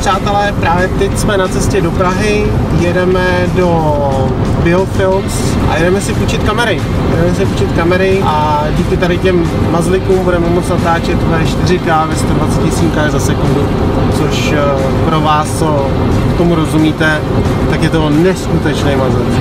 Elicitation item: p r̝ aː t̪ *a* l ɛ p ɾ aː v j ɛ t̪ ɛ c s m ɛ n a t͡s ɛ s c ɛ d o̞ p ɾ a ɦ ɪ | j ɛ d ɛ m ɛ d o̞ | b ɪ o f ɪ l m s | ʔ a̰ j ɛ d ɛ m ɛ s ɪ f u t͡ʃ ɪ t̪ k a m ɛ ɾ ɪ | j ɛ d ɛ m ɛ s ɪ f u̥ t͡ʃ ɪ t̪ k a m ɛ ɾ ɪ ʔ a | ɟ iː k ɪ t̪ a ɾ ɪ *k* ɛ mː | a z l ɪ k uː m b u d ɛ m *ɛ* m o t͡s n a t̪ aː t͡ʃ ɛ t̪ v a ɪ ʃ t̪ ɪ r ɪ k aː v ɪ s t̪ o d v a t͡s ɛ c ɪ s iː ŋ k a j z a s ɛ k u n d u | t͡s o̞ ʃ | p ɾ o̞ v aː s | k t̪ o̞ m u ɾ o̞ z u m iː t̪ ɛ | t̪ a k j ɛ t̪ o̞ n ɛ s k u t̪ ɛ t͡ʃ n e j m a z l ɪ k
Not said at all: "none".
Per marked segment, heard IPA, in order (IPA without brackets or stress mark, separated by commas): ɛ, c, ɛ